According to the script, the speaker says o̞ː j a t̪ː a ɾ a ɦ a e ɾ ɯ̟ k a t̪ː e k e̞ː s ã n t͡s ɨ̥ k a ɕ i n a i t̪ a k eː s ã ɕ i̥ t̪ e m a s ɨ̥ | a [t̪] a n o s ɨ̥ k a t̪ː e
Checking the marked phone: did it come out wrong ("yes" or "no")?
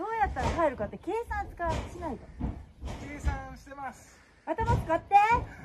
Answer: no